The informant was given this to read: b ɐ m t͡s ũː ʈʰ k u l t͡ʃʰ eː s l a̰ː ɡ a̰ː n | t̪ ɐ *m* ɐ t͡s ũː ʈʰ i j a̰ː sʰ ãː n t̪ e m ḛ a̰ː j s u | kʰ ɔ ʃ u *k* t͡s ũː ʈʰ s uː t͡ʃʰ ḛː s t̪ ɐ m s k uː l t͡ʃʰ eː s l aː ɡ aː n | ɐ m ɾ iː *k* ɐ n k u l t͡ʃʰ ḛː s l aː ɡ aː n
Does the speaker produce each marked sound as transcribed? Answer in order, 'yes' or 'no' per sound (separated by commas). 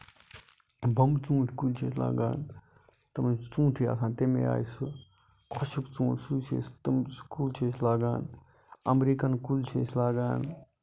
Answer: yes, yes, yes